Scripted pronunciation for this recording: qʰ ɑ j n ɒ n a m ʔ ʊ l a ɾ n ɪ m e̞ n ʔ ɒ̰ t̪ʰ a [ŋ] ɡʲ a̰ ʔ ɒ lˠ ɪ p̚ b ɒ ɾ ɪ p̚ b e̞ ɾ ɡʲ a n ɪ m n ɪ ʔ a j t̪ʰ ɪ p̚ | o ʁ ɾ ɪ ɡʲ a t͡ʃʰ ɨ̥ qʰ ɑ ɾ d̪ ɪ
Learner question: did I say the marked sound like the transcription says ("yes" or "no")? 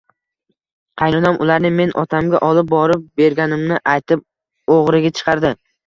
no